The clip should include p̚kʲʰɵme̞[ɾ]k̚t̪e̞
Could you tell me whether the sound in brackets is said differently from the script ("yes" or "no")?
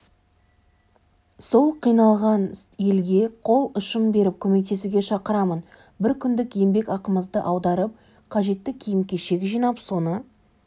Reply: yes